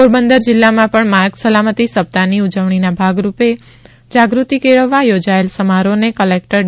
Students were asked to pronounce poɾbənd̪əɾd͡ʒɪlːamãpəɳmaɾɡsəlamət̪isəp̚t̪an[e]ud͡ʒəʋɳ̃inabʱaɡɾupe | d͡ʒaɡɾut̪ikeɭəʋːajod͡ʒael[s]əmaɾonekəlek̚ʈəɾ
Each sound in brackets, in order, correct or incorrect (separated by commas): incorrect, correct